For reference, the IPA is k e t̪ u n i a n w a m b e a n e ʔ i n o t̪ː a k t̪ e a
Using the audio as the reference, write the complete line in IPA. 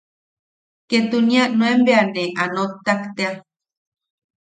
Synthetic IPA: k e t̪ u n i a n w e m b e a n e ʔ a n o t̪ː a k t̪ e a